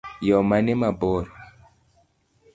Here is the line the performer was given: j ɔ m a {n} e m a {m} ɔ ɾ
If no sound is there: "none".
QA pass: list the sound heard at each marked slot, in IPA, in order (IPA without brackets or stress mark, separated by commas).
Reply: n, b